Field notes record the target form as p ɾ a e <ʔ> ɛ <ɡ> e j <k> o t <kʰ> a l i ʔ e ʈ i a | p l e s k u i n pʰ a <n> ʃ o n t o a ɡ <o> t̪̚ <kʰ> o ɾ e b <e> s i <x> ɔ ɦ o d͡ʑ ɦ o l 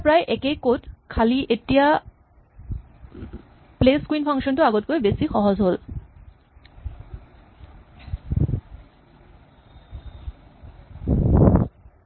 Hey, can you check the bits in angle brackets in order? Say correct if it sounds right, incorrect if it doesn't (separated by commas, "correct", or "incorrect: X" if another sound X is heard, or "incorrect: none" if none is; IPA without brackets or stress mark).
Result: correct, incorrect: k, correct, correct, incorrect: ŋ, correct, incorrect: k, correct, correct